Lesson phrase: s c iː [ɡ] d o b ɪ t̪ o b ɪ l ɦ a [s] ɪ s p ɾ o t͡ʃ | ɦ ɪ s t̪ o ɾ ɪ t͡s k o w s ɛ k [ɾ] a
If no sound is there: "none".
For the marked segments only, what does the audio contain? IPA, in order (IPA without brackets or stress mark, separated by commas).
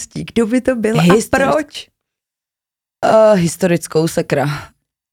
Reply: ɡ, none, ɾ